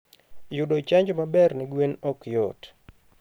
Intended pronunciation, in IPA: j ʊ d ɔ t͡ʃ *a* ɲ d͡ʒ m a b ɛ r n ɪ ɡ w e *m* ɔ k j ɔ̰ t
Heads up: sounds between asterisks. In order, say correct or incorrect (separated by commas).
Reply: correct, incorrect